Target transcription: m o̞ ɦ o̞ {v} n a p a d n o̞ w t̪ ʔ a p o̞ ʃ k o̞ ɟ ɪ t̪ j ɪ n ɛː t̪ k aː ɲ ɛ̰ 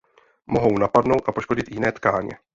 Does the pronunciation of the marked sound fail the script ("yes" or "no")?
yes